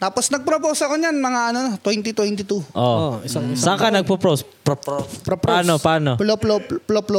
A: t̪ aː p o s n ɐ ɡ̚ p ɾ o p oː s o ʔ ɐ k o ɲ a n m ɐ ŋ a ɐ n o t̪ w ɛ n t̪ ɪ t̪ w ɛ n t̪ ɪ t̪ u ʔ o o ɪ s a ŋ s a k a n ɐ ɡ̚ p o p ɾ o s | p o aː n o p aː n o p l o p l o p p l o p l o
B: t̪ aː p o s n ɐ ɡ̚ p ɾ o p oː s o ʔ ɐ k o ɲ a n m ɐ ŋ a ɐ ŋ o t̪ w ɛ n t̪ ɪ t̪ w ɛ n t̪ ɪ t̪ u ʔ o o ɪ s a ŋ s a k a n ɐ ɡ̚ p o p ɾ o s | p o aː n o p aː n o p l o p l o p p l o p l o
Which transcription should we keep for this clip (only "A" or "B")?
A